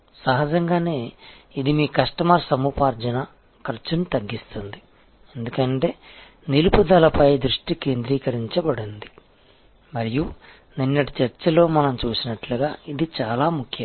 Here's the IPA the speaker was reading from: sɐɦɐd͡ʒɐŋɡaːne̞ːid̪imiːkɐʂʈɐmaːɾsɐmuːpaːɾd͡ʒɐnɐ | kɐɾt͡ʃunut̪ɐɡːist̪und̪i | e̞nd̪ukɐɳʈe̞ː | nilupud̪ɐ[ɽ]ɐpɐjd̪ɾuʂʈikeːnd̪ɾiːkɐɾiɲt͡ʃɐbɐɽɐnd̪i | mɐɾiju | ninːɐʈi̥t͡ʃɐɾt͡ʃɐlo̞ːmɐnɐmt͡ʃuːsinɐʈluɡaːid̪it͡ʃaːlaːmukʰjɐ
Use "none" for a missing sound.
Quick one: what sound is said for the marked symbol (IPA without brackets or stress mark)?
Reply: l